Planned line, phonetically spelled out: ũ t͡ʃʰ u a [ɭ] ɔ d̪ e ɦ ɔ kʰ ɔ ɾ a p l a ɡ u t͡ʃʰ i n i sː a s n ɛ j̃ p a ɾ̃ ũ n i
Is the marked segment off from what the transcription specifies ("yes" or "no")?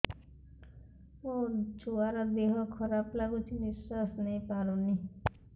yes